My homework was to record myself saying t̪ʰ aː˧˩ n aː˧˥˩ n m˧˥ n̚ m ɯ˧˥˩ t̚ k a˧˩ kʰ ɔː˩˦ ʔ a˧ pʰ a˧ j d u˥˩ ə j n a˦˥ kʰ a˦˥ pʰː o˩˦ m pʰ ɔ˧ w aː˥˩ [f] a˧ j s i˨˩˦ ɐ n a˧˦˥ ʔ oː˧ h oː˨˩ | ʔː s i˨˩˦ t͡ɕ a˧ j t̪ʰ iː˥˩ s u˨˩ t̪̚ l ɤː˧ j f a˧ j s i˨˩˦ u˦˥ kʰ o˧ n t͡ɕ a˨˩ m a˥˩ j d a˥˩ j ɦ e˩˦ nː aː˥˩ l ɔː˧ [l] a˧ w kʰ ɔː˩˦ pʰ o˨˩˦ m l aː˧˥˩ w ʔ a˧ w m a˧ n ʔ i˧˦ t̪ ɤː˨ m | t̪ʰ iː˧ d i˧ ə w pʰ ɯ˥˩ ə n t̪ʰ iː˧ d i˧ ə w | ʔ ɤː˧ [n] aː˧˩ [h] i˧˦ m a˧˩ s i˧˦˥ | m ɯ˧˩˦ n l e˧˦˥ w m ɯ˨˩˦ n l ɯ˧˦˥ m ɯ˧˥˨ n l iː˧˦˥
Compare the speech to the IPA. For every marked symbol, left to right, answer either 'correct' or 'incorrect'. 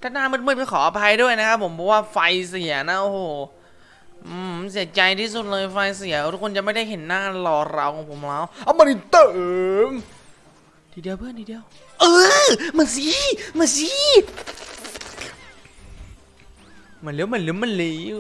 correct, incorrect, incorrect, incorrect

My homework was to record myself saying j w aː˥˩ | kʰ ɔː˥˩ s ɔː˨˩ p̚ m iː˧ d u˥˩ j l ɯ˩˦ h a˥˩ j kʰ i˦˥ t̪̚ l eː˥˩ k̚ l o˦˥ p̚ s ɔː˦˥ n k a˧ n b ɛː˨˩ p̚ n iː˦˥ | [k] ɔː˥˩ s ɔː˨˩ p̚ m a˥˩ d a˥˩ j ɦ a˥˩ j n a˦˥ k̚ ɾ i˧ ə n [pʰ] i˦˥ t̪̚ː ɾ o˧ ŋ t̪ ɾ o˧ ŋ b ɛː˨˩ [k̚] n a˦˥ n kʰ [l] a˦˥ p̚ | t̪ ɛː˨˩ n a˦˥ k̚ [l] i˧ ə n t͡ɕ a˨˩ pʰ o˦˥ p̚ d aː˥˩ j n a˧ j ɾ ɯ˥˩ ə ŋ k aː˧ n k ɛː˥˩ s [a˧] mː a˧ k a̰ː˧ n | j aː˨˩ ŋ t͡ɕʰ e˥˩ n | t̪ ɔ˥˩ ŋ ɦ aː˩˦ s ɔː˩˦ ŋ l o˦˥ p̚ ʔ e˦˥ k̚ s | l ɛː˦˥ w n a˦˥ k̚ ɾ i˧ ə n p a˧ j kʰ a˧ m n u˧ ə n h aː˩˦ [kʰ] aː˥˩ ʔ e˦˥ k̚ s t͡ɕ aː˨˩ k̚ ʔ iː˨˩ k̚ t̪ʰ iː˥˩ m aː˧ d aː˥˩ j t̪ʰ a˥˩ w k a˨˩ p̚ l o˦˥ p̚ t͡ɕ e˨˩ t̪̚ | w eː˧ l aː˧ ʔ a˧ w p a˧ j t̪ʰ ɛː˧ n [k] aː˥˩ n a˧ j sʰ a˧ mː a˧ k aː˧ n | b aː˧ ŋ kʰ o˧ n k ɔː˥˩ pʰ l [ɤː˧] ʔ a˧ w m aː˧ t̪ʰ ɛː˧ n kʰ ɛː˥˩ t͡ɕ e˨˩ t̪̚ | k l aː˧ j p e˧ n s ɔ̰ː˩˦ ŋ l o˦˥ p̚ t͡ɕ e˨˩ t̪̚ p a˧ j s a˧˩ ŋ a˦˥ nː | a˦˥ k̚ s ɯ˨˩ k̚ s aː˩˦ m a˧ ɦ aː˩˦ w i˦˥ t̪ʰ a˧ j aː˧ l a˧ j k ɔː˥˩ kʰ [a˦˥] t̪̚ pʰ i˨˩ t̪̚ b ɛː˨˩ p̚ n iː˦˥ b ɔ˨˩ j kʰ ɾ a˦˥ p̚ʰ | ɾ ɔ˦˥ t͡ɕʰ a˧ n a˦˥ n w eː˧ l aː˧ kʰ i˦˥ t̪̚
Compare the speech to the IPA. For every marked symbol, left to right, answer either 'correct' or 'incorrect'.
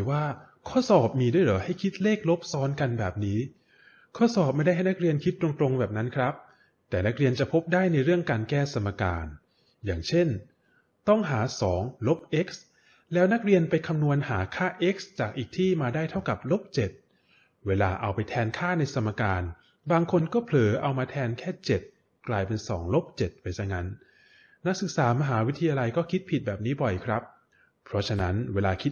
incorrect, incorrect, incorrect, incorrect, incorrect, correct, correct, incorrect, incorrect, incorrect

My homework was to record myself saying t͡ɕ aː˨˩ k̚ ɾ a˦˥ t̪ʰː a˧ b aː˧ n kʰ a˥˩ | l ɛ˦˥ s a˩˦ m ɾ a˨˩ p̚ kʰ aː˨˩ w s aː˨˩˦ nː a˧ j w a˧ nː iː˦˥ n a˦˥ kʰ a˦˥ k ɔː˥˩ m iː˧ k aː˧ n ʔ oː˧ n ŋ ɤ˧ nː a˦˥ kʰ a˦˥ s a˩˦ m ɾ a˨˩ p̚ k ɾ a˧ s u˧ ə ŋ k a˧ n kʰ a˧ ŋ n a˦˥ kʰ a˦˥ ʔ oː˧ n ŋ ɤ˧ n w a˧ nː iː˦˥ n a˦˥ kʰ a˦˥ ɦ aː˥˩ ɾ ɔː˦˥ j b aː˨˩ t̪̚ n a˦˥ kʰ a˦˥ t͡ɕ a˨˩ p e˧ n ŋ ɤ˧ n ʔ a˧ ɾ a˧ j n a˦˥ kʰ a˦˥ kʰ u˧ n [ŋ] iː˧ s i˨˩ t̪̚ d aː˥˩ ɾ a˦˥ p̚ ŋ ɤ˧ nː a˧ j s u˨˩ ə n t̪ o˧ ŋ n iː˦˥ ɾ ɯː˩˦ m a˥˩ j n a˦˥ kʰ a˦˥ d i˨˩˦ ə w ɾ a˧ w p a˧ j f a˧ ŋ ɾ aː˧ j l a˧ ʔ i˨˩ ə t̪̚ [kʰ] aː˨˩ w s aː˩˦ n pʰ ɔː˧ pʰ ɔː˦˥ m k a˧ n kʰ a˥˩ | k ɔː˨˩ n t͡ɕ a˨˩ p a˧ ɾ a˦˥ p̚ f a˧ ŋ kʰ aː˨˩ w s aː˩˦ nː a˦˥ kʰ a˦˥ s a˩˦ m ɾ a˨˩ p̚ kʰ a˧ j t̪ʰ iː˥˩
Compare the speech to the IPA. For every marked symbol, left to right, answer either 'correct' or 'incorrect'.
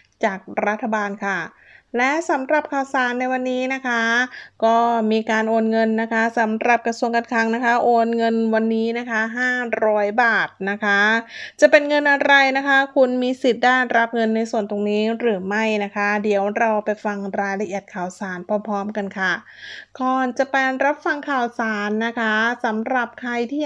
incorrect, correct

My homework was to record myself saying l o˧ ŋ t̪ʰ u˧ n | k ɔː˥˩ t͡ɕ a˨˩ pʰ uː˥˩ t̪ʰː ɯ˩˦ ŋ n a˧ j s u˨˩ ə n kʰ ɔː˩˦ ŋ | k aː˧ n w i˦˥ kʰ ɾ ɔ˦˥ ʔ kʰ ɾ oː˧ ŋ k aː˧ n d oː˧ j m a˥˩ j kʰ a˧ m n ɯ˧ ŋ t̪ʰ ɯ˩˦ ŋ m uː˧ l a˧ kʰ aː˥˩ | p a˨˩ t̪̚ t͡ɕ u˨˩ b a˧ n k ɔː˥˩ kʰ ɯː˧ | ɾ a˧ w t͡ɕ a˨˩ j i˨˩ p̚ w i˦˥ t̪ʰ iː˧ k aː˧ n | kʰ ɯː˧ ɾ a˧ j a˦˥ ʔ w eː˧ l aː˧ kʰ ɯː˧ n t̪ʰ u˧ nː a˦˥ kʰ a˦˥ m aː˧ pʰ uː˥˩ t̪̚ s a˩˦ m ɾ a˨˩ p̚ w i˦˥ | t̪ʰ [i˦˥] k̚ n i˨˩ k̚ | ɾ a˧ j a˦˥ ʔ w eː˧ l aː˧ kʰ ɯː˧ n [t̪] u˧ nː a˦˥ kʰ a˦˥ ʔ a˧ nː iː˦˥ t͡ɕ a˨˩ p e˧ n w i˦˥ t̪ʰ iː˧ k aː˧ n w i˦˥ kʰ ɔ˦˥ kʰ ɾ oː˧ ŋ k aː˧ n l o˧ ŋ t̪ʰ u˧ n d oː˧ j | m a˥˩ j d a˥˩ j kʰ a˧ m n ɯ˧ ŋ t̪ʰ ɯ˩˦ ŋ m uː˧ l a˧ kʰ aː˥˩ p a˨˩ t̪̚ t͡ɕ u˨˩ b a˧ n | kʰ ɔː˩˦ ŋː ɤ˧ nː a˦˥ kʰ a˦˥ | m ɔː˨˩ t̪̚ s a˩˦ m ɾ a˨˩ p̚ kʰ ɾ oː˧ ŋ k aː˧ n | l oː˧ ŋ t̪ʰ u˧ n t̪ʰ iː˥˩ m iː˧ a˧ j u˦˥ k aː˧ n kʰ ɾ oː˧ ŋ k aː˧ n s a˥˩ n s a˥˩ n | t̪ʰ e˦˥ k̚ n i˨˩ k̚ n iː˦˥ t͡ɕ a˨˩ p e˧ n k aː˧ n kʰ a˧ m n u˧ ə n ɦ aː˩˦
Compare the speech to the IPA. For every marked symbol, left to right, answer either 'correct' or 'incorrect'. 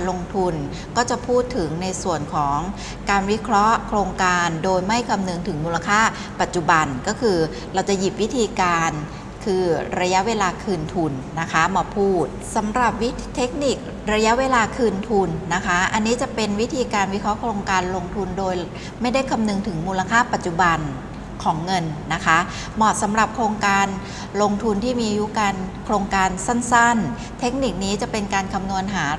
incorrect, incorrect

